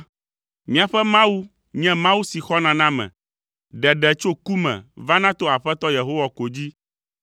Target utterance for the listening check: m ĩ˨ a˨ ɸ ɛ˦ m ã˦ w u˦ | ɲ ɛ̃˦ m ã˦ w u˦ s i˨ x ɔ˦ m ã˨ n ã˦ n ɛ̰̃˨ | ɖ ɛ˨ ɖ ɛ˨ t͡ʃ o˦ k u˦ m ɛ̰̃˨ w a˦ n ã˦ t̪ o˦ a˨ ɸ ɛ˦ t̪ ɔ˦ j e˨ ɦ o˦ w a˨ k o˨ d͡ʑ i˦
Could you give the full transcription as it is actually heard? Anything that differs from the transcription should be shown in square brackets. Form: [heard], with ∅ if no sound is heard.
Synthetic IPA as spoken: m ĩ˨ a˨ ɸ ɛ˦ m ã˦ w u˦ | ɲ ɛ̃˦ m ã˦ w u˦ s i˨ x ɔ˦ [n] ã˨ n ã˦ [m] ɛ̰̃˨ | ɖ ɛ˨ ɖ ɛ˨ t͡ʃ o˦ k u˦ m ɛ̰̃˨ [v] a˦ n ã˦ t̪ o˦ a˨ ɸ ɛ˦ t̪ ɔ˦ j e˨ ɦ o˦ w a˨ k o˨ d͡ʑ i˦